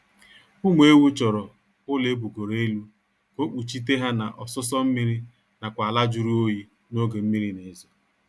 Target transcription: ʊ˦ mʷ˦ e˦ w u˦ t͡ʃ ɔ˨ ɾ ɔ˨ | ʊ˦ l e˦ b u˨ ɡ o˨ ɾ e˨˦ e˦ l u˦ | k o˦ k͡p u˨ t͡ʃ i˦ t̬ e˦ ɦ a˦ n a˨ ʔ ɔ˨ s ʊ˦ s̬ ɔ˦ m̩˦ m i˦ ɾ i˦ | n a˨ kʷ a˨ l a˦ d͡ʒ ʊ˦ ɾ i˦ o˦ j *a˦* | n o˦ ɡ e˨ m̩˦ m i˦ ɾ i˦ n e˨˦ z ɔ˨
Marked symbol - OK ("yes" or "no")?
no